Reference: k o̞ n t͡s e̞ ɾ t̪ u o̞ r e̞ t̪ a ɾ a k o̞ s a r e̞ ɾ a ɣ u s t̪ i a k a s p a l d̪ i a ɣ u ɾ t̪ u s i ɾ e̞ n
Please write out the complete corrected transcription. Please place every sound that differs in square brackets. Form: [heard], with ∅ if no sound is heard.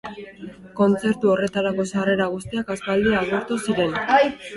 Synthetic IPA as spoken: k o̞ n t͡s e̞ ɾ t̪ u o̞ r e̞ t̪ a ɾ a k o̞ s a r e̞ ɾ a ɣ u s t̪ i a k a s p a l d̪ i a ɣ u ɾ t̪ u s i ɾ e̞ n